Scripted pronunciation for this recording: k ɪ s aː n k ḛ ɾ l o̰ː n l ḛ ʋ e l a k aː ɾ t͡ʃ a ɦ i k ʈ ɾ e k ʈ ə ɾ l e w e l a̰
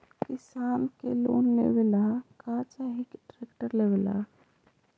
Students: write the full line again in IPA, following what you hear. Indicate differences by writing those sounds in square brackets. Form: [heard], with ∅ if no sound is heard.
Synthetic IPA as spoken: k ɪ s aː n k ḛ [∅] l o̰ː n l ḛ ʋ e l a k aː [∅] t͡ʃ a ɦ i k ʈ ɾ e k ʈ ə ɾ l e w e l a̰